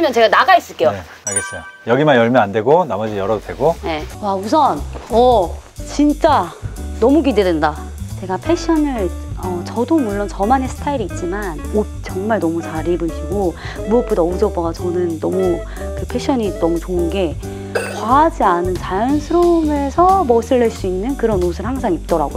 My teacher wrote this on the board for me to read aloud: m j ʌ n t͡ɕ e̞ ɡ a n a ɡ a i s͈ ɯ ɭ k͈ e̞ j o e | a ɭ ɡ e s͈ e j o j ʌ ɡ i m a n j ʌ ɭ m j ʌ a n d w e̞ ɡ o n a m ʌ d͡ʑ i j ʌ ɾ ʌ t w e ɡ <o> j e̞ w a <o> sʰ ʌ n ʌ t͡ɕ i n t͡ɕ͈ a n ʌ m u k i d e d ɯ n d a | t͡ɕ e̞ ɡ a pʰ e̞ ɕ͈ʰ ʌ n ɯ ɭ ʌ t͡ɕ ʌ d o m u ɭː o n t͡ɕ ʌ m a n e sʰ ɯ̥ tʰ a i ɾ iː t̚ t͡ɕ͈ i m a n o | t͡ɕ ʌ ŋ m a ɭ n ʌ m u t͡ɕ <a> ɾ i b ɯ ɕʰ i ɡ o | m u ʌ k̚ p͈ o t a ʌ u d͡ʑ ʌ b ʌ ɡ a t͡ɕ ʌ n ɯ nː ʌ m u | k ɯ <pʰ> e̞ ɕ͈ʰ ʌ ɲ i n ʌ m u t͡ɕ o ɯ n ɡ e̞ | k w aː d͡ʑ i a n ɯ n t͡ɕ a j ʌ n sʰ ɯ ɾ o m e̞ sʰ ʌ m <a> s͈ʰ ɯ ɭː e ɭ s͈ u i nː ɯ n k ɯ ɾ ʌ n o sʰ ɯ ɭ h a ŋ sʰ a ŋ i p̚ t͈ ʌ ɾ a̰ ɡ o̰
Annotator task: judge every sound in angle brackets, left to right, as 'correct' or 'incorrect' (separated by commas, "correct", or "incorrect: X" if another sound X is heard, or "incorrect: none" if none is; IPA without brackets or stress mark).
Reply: correct, incorrect: u, correct, correct, incorrect: ʌ